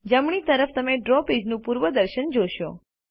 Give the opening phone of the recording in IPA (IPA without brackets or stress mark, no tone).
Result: d͡ʒ